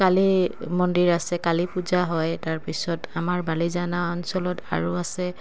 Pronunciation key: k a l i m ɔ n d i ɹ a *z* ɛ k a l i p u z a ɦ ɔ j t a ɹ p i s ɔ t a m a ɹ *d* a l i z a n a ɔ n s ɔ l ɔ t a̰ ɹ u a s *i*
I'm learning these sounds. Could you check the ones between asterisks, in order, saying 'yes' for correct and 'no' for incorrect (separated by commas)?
no, no, no